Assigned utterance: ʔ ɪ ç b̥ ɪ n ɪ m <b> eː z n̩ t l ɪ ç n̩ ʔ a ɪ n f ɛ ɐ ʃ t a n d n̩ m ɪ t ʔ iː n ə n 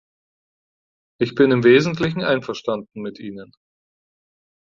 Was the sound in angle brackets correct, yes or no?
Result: no